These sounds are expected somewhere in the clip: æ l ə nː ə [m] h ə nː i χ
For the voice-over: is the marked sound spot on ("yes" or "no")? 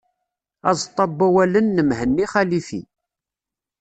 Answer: yes